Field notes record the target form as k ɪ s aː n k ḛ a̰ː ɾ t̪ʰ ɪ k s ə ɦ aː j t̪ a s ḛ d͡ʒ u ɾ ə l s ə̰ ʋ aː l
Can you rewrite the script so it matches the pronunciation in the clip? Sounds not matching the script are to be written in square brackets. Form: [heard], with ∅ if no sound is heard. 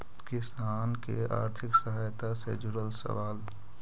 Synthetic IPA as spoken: k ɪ s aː n k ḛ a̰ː ɾ t̪ʰ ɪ k s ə ɦ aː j t̪ a s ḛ d͡ʒ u ɾ ə l s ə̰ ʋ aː l